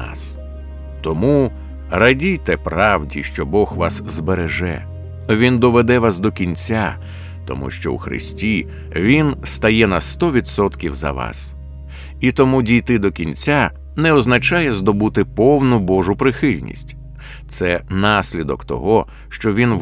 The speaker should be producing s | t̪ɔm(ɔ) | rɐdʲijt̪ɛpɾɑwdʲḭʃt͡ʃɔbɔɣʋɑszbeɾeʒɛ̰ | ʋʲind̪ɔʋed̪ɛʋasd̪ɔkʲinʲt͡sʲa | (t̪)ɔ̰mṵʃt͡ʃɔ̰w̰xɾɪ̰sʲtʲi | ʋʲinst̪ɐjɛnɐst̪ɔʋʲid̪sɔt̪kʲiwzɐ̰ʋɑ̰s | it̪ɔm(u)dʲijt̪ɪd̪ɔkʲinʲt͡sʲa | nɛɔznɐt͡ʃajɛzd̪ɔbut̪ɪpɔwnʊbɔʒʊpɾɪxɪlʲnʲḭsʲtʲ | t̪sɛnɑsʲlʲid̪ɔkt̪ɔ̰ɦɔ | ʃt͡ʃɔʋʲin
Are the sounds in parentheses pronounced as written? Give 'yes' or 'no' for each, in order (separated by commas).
no, yes, yes